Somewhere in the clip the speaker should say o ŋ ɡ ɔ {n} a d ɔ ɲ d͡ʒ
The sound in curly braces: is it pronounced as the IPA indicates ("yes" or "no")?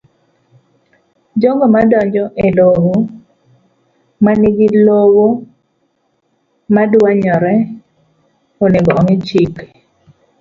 no